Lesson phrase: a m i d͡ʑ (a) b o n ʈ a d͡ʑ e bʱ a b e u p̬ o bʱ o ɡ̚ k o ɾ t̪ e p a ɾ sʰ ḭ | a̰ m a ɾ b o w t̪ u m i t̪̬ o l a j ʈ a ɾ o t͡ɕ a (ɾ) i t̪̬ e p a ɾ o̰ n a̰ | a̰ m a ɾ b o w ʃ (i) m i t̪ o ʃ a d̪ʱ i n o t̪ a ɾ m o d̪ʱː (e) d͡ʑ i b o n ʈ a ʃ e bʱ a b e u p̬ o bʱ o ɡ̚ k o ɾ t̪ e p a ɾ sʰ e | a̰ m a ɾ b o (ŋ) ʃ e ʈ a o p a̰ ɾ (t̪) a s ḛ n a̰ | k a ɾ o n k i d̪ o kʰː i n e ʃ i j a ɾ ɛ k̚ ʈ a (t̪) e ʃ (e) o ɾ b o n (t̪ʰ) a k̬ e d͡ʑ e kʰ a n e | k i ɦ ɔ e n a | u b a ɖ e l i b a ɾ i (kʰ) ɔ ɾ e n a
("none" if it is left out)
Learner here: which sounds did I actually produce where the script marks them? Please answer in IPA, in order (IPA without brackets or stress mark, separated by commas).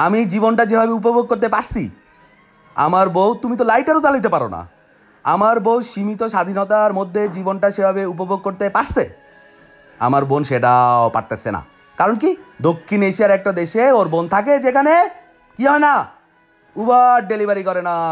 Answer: i, l, i, e, n, t̪, d̪, e, t̪ʰ, k